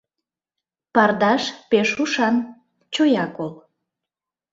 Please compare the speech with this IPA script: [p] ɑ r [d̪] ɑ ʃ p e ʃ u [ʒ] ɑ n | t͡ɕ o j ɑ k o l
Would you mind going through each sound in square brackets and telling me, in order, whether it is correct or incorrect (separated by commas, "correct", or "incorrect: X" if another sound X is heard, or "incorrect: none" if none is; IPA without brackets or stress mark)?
correct, correct, incorrect: ʃ